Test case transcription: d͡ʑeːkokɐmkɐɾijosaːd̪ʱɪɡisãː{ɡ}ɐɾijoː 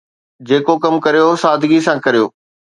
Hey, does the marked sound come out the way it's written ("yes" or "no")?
no